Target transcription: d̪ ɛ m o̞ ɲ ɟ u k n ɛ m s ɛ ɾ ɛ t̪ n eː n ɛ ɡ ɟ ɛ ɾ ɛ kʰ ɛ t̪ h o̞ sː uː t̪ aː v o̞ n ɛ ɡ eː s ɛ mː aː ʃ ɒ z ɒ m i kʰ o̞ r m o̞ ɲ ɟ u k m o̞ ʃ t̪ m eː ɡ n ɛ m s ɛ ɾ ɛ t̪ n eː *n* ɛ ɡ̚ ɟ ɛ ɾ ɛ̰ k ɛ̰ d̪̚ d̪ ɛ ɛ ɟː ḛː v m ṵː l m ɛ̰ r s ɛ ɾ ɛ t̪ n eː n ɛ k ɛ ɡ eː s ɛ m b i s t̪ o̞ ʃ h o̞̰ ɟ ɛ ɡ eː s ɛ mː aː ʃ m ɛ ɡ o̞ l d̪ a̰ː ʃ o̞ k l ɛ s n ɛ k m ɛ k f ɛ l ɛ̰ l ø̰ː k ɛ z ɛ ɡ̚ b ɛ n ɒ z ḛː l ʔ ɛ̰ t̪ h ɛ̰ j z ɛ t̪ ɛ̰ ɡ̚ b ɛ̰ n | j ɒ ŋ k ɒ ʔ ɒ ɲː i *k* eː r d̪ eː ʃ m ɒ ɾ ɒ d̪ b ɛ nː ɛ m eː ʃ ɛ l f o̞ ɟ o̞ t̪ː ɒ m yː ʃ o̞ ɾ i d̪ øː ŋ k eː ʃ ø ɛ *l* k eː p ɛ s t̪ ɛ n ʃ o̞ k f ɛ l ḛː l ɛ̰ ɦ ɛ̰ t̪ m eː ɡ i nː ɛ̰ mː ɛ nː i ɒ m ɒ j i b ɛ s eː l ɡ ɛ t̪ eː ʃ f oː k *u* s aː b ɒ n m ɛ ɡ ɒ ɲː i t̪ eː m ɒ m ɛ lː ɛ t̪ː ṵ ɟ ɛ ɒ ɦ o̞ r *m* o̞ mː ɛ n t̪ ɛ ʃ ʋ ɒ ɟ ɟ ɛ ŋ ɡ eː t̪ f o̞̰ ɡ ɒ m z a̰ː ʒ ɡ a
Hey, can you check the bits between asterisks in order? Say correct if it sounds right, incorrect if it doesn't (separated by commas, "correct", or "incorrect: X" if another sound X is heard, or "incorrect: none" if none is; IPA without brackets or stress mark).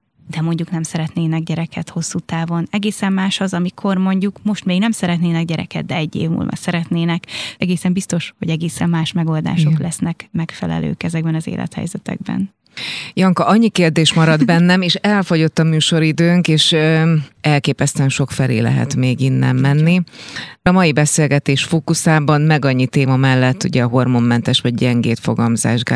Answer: correct, correct, correct, correct, correct